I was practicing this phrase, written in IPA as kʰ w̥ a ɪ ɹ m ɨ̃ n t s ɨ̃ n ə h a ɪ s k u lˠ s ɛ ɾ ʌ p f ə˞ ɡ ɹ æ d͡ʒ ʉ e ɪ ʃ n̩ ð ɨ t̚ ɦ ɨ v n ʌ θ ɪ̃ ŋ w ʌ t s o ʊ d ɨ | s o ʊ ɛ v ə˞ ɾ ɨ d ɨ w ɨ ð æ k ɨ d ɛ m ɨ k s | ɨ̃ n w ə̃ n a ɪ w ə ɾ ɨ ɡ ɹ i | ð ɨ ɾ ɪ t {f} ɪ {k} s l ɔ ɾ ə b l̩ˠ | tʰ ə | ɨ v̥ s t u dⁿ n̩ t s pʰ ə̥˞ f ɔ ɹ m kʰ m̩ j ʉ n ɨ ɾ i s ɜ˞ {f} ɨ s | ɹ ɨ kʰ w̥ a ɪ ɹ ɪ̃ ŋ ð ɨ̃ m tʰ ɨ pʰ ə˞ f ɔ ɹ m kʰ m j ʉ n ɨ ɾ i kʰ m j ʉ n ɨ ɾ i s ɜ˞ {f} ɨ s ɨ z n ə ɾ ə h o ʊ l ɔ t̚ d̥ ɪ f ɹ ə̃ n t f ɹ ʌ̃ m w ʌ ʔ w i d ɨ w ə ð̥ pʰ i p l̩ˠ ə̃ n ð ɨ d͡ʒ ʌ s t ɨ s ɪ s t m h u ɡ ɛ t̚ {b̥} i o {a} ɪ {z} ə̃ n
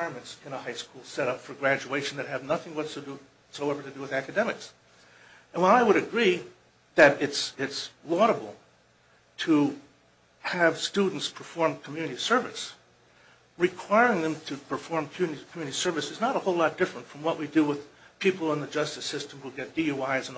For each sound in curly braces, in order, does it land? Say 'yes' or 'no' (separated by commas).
no, no, no, no, no, yes, yes